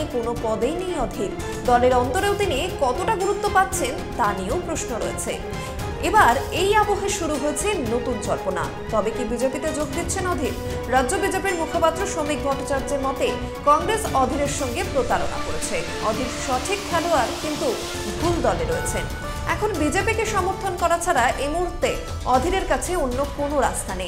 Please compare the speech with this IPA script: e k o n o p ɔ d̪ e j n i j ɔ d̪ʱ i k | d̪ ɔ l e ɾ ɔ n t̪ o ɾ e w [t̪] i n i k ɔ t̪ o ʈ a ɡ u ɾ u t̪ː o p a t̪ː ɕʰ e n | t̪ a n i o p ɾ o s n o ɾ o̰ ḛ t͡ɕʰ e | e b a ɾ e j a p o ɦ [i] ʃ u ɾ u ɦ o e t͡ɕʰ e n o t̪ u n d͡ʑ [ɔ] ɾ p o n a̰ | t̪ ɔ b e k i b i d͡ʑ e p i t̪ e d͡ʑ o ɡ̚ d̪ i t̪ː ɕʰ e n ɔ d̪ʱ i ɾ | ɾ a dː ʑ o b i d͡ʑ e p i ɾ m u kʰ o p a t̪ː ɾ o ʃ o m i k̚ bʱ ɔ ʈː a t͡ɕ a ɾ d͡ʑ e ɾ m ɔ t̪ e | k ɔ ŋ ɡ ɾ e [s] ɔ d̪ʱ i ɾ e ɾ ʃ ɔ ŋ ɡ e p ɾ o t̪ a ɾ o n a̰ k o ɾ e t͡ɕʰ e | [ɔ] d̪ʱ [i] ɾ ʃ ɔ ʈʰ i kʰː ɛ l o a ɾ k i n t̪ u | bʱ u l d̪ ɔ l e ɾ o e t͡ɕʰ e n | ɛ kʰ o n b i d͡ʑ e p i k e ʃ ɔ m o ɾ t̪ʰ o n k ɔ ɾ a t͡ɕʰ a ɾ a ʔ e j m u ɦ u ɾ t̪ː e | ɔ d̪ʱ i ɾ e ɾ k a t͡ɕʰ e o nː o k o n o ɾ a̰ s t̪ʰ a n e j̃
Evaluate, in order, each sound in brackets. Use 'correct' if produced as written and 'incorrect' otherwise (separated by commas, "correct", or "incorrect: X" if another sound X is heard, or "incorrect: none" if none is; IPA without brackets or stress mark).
correct, incorrect: e, correct, correct, correct, correct